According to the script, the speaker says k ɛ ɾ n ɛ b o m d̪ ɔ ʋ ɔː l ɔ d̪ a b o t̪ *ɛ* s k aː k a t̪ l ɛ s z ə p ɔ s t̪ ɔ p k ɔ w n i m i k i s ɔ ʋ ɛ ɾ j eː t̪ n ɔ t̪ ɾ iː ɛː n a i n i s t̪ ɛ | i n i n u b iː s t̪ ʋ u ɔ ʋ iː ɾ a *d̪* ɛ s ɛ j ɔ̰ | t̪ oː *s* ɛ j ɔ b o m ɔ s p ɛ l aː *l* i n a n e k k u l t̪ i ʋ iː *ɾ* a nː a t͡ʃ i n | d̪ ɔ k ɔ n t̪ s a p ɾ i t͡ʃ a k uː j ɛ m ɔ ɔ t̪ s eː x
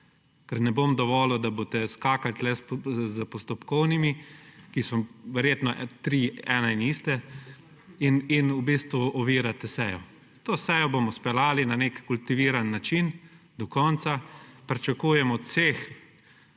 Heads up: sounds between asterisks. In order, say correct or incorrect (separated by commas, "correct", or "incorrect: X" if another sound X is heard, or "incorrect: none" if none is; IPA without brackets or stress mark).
correct, incorrect: t̪, correct, correct, correct